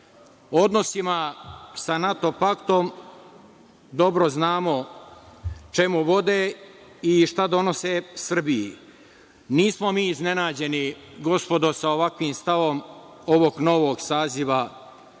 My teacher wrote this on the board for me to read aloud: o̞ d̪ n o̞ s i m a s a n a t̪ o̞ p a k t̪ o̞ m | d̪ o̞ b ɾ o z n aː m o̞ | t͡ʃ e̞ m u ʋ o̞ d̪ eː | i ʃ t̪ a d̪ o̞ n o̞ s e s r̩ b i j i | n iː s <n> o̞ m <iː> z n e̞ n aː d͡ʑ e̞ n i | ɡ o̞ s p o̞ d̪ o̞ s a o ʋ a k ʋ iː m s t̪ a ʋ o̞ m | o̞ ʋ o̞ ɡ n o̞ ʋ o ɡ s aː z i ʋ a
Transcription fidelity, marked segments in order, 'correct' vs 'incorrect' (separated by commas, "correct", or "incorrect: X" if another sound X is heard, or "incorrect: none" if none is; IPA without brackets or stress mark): incorrect: m, correct